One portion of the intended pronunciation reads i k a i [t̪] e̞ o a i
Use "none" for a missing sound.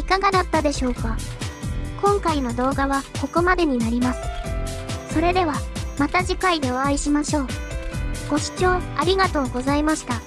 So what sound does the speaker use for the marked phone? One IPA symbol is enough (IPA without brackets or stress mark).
d̪